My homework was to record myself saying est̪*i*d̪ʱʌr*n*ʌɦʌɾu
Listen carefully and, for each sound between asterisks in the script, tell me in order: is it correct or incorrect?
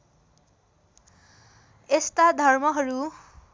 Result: incorrect: a, incorrect: m

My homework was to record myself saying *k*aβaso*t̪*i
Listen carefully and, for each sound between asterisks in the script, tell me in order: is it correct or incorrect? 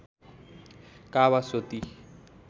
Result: correct, correct

